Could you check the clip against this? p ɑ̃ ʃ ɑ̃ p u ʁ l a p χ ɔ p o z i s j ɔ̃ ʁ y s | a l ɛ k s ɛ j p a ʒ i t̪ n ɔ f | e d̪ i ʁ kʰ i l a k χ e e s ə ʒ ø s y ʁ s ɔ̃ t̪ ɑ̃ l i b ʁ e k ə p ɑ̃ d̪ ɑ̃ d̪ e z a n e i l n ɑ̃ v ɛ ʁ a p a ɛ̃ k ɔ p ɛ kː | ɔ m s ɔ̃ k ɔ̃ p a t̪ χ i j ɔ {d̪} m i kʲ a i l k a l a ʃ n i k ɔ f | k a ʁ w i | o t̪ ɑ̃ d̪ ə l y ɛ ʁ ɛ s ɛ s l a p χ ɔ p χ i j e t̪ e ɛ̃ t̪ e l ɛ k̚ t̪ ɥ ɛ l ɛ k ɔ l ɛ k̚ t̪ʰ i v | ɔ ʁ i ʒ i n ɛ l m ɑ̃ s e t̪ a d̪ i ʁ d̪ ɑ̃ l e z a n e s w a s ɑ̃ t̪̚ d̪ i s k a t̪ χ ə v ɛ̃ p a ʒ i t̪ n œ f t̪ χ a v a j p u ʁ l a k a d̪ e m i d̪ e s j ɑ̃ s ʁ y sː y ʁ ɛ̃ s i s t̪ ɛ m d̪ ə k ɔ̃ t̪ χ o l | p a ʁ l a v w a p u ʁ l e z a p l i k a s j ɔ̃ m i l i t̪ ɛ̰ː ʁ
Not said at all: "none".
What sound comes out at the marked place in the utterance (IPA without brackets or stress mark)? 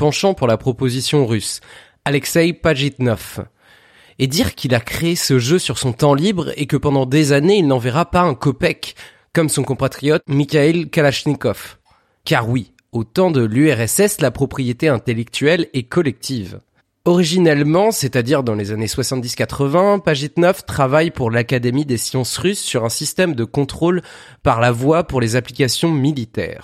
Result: t̪